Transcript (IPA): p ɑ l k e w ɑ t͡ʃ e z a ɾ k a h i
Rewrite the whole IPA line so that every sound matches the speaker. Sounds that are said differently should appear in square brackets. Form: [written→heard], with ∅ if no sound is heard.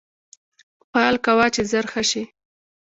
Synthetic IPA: p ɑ l k [e→a] w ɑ t͡ʃ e z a ɾ [k→x] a [h→ʃ] i